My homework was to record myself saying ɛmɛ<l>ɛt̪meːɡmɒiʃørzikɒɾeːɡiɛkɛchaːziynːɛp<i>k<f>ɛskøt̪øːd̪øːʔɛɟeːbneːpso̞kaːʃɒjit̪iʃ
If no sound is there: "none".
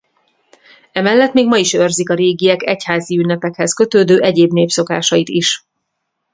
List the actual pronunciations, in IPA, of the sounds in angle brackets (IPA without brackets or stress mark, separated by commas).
lː, ɛ, h